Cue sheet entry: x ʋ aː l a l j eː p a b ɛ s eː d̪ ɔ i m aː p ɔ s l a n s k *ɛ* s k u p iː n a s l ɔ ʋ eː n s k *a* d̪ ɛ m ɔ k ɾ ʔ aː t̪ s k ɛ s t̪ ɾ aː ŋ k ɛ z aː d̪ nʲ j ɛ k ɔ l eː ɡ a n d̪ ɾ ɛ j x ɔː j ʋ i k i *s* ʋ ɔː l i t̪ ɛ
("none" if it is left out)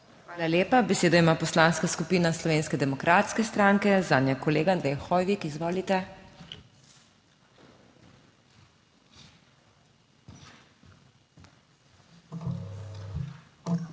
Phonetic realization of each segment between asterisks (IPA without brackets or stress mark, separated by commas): a, ɛ, z